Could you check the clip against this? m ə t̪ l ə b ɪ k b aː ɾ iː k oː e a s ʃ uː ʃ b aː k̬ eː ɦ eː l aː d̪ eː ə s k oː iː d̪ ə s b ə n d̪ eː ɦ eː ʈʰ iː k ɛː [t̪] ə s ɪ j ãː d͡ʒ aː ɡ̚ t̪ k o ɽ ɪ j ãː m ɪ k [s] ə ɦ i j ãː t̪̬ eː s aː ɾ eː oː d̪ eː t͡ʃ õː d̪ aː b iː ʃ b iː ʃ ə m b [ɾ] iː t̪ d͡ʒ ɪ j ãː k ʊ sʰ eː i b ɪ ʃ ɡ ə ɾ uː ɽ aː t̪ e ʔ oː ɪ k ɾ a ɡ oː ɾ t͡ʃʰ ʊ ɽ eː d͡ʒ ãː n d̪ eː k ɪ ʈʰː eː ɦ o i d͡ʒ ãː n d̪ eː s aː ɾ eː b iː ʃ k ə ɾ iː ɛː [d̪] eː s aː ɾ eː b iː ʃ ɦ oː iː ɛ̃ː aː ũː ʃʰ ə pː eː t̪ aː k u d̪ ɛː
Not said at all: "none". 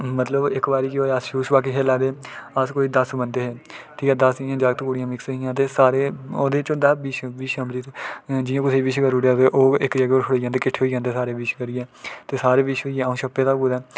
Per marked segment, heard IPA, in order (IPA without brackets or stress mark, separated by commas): d̪, s, ɾ, t̪